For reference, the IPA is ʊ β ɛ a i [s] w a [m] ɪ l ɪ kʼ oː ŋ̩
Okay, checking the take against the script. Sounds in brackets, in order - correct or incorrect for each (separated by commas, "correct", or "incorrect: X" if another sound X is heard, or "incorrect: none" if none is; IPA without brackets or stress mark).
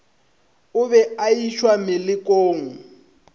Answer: incorrect: ʃ, correct